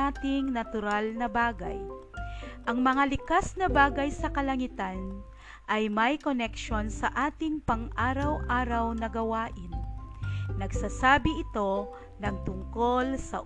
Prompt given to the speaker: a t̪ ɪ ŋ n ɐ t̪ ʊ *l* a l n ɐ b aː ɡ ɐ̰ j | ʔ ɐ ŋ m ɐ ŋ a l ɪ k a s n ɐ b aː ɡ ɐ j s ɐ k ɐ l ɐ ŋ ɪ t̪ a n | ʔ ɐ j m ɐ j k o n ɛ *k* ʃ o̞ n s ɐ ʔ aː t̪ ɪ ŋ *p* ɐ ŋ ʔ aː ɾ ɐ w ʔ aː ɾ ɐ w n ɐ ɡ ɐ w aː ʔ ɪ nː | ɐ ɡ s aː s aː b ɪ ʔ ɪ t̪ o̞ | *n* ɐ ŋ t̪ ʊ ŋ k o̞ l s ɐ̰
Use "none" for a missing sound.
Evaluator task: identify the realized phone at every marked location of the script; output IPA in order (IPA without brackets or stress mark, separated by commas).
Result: ɾ, k, p, n